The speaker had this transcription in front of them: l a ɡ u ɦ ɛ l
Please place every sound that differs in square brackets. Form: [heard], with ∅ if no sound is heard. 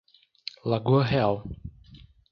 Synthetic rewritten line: l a ɡ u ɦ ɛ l

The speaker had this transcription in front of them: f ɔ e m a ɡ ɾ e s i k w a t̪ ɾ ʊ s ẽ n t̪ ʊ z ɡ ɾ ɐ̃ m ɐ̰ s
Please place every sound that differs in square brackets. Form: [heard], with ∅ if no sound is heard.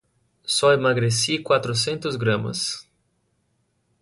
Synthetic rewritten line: [s] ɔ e m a ɡ ɾ e s i k w a t̪ ɾ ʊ s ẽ n t̪ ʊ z ɡ ɾ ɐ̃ m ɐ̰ s

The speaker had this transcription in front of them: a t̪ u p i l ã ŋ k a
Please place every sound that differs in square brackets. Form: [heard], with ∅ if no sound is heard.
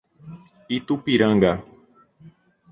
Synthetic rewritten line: [i] t̪ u p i [ɾ] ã ŋ [ɡ] a

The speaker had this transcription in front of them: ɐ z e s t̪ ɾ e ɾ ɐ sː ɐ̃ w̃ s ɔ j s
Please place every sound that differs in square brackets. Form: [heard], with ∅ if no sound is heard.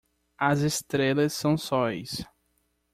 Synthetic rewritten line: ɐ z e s t̪ ɾ e [l] ɐ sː ɐ̃ w̃ s ɔ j s

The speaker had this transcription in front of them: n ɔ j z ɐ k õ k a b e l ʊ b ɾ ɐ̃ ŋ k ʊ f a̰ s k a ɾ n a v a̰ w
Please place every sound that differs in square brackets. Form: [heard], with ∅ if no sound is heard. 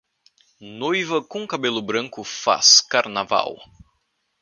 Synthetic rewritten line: n [o] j [v] ɐ k õ k a b e l ʊ b ɾ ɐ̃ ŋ k ʊ f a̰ s k a ɾ n a v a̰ w

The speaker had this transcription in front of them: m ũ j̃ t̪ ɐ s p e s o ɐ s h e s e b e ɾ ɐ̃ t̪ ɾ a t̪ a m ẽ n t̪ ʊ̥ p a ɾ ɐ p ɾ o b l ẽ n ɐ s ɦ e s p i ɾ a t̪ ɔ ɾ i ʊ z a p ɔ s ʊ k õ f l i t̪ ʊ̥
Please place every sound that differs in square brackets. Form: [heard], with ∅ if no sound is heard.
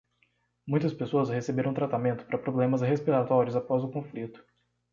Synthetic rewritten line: m ũ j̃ t̪ ɐ s p e s o ɐ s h e s e b e ɾ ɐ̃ t̪ ɾ a t̪ a m ẽ n t̪ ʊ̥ p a ɾ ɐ p ɾ o b l ẽ [m] ɐ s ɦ e s p i ɾ a t̪ ɔ ɾ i ʊ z a p ɔ [z] ʊ k õ f l i t̪ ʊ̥

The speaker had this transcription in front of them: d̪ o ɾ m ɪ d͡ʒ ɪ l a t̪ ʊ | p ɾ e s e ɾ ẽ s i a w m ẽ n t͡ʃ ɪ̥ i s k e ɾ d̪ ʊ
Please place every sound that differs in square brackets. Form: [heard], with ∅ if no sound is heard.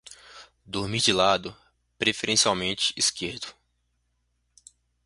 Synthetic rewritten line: d̪ o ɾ m [i] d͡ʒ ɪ l a [d̪] ʊ | p ɾ e [f] e ɾ ẽ s i a w m ẽ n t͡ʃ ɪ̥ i s k e ɾ d̪ ʊ

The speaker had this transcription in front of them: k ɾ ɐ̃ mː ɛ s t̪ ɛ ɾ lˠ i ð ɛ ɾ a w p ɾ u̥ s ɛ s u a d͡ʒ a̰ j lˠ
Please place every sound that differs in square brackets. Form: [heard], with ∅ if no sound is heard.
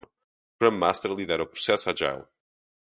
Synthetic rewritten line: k ɾ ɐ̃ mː [a] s t̪ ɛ ɾ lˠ i ð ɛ ɾ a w p ɾ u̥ s ɛ s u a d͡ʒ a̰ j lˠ

